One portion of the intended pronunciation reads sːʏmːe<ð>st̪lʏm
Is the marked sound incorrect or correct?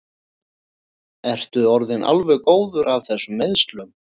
correct